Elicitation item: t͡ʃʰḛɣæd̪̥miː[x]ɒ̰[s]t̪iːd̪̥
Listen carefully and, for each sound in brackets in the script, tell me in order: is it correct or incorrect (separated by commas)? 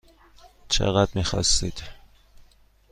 correct, correct